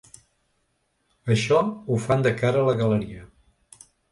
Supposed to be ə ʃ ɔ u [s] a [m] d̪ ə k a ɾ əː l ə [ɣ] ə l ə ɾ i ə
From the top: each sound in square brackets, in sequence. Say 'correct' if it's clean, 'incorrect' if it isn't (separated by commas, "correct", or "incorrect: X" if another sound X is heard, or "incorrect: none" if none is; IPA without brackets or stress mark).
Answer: incorrect: f, incorrect: n, correct